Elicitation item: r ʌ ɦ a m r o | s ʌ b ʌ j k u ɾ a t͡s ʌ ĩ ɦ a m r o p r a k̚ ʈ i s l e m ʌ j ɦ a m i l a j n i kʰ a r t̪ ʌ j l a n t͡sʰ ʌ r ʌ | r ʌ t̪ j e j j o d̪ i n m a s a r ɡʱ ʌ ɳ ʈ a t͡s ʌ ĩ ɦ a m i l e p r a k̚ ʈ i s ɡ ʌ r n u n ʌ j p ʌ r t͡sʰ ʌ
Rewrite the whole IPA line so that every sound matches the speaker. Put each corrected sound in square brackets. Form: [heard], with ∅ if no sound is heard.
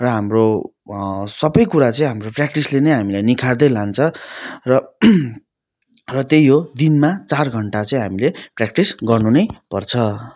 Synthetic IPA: r ʌ ɦ a m r o | s ʌ b ʌ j k u ɾ a t͡s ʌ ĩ ɦ a m r o p r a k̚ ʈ i s l e [n] ʌ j ɦ a m i l a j n i kʰ a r [d̪] ʌ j l a n t͡sʰ ʌ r ʌ | r ʌ t̪ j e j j o d̪ i n m a [t͡s] a r ɡʱ ʌ ɳ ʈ a t͡s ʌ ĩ ɦ a m i l e p r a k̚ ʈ i s ɡ ʌ r n u n ʌ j p ʌ r t͡sʰ ʌ